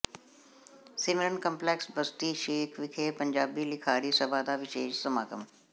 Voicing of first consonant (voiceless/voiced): voiceless